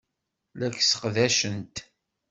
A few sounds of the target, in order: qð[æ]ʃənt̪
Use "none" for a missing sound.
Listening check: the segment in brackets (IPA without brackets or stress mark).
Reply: æ